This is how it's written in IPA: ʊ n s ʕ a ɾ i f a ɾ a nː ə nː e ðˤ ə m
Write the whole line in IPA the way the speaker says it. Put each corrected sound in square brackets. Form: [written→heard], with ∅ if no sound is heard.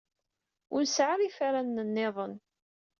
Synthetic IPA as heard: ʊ n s ʕ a ɾ i f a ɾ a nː ə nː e ðˤ ə [m→n]